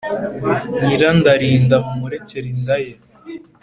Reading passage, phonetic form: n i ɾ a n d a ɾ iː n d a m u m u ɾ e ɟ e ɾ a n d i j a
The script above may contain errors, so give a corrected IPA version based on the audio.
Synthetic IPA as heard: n i ɾ a n d a ɾ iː n d a m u m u ɾ e c e ɾ i n d a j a